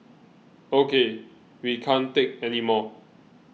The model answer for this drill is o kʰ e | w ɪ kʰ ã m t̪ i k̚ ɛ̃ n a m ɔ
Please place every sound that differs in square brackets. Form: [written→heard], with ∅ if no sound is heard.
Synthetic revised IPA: o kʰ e | w [ɪ→i] kʰ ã [m→n] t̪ [i→e] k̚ [ɛ̃→ɛ] n [a→i] m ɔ